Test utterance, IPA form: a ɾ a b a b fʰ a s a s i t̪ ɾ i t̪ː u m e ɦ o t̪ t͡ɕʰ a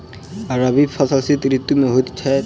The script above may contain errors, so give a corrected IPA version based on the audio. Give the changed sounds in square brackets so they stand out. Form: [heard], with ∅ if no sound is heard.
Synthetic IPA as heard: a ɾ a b [i] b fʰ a s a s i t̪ ɾ i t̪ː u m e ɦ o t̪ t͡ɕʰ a